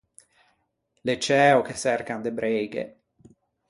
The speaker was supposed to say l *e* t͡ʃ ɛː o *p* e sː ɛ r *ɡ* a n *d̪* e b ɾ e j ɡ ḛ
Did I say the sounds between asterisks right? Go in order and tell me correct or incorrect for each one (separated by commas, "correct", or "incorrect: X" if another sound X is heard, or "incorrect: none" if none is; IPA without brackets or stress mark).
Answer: correct, incorrect: k, incorrect: k, correct